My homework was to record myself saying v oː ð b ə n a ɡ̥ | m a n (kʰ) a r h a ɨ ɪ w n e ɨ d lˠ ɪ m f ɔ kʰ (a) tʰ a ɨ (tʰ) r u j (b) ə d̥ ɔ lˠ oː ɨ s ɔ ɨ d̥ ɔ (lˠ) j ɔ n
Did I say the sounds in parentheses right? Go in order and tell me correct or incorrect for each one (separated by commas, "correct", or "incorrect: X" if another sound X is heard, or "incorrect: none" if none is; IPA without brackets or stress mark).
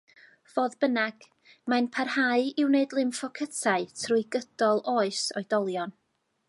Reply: incorrect: pʰ, incorrect: ə, correct, incorrect: ɡ, correct